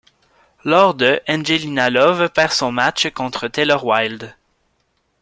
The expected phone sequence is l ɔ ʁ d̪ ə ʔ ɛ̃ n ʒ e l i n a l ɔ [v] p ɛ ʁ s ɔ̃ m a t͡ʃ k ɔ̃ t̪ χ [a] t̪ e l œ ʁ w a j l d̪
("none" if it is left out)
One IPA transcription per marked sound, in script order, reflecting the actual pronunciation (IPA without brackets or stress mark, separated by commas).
v, ə